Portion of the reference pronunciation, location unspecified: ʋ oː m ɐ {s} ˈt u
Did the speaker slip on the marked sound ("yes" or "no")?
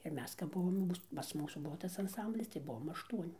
yes